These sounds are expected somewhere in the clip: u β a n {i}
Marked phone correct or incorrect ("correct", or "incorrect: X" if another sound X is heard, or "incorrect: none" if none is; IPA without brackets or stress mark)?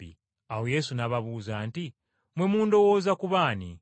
correct